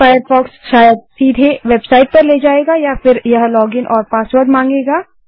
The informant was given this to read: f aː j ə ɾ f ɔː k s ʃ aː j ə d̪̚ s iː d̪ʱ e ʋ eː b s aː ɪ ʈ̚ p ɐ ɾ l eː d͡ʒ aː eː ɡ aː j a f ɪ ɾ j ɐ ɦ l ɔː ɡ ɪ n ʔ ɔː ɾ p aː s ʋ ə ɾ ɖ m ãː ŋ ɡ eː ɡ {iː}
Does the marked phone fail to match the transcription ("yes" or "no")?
yes